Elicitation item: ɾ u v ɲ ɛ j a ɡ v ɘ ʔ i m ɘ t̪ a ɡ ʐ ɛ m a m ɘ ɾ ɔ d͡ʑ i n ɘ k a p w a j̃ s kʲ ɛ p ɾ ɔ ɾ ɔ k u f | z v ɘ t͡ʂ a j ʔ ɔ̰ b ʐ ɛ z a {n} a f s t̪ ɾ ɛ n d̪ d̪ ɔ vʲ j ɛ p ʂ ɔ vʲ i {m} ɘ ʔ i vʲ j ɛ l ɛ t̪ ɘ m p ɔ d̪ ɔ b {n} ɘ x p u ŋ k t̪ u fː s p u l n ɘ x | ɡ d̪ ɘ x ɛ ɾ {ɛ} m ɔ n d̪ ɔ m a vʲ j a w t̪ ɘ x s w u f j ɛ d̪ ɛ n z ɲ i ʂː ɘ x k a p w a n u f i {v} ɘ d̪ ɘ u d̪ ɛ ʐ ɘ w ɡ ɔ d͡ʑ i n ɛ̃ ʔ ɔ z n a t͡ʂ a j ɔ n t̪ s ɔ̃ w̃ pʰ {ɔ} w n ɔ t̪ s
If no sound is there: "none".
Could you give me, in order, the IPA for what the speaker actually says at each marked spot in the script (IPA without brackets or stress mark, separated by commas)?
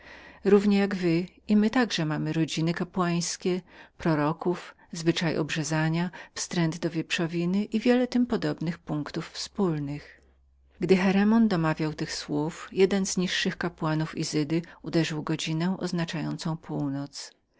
ɲ, n, n, ɛ, z, u